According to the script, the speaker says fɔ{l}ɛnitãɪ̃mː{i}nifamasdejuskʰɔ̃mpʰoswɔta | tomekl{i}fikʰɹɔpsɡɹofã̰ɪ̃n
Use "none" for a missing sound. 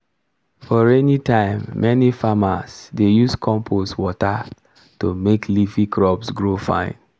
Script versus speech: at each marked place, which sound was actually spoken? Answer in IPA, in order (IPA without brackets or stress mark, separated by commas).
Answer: ɹ, ɛ, i